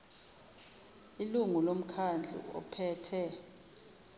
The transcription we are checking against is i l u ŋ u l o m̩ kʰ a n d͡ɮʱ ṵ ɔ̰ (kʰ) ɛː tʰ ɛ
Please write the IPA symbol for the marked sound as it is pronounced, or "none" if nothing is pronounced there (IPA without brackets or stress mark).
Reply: pʰ